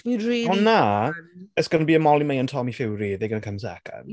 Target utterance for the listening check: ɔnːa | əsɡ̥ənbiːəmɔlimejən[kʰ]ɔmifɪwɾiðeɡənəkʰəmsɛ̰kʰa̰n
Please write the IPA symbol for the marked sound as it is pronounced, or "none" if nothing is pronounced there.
tʰ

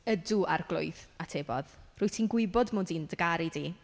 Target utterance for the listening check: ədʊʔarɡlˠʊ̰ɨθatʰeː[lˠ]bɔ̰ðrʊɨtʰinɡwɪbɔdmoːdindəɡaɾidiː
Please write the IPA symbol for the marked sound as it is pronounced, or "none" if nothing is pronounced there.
none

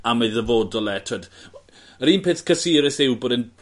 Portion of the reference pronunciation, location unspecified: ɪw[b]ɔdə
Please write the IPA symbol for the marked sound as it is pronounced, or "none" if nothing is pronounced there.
b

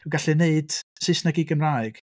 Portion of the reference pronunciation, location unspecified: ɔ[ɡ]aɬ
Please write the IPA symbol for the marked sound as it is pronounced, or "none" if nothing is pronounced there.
ɡ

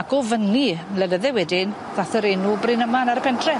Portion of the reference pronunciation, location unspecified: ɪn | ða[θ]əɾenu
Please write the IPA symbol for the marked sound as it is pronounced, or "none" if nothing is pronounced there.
θ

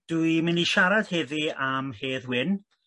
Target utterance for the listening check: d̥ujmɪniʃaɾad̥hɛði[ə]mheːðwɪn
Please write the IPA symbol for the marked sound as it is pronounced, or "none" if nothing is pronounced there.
a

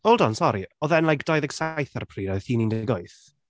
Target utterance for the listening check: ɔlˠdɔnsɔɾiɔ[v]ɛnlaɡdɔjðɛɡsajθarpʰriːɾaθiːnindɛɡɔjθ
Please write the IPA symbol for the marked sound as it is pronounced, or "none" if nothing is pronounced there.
ð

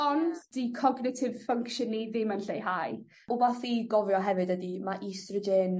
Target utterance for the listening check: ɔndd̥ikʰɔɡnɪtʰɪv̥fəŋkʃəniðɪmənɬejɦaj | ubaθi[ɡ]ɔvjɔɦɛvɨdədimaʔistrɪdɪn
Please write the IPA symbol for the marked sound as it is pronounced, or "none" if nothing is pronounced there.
ɡ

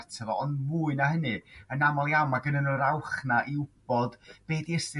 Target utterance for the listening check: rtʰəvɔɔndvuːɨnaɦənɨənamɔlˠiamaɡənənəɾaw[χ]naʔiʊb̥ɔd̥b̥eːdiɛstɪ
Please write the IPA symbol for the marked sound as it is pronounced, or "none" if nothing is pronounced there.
χ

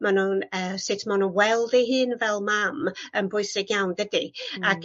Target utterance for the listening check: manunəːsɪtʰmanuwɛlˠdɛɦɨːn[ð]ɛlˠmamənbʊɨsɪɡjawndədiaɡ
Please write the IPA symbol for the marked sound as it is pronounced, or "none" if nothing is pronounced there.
v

